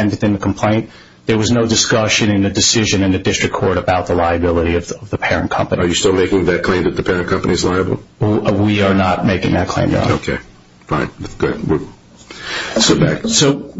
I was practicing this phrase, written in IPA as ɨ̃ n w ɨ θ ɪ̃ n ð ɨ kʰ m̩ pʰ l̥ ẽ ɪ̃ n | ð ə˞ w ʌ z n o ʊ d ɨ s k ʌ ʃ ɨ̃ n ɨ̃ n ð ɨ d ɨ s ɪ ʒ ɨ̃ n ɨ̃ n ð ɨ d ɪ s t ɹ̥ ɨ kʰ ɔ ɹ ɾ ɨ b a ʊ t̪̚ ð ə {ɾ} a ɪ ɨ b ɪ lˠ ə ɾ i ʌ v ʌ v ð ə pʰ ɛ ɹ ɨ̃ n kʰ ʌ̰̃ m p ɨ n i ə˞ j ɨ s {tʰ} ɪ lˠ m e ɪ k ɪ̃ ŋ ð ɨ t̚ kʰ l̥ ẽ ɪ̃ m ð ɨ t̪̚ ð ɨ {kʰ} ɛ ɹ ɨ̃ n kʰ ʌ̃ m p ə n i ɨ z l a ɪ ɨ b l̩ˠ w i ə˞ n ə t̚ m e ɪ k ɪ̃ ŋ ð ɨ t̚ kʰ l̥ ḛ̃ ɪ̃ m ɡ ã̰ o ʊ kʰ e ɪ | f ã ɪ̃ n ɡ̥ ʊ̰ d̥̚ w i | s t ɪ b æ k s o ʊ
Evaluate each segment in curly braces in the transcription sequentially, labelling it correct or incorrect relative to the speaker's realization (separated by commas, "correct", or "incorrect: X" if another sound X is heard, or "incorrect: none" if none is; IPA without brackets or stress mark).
incorrect: l, incorrect: t, incorrect: pʰ